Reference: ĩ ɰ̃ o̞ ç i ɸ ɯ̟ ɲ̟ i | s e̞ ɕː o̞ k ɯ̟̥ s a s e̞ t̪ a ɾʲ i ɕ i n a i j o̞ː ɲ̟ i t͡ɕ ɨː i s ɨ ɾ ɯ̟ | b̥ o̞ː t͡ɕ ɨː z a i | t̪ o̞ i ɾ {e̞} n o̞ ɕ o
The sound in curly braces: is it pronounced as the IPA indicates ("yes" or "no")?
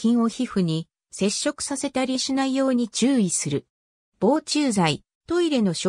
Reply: yes